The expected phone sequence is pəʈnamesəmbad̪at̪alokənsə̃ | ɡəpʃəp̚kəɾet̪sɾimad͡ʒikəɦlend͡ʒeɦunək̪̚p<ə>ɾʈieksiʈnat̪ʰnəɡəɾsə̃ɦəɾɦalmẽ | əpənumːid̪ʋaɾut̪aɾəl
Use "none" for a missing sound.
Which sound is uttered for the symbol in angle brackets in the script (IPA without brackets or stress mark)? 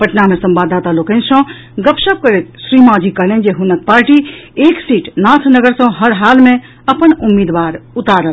a